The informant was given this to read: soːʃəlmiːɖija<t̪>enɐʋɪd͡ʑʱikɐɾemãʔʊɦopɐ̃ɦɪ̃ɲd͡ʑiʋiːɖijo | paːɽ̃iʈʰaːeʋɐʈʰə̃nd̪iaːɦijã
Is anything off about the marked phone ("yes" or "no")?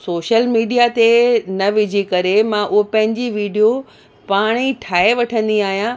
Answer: no